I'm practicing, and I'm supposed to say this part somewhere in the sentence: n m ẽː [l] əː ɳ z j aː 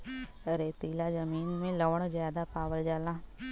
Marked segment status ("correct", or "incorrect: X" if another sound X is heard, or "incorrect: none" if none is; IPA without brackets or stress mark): correct